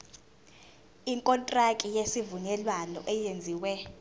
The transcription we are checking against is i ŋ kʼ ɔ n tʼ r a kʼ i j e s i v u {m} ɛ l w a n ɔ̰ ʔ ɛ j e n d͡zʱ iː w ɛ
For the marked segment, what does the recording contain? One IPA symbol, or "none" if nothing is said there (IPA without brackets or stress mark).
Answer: n